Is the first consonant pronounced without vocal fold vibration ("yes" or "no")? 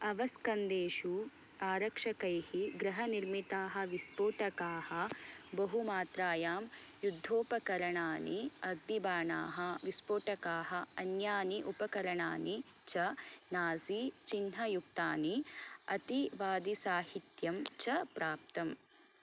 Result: no